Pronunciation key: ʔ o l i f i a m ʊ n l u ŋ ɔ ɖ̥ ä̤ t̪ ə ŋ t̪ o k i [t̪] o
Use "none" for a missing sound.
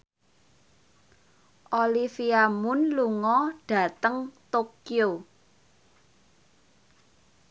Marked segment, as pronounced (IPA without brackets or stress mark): none